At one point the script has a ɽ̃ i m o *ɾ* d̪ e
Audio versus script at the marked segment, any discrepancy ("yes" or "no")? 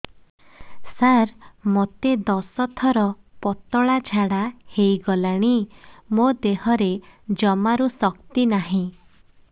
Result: yes